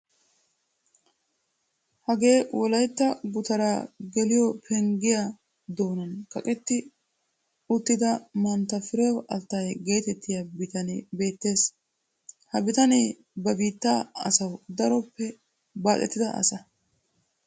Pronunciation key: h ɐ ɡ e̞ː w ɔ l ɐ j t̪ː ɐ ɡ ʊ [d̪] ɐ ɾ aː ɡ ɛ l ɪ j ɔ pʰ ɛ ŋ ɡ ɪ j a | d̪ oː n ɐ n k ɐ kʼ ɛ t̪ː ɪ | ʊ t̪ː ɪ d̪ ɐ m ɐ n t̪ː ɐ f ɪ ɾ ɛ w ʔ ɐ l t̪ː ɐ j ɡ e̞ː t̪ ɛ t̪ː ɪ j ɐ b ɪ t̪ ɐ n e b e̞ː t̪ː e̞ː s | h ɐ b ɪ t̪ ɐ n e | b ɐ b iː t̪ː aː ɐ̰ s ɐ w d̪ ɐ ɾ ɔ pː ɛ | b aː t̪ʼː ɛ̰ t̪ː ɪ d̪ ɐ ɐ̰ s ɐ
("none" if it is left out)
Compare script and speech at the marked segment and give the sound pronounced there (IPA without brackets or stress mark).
t̪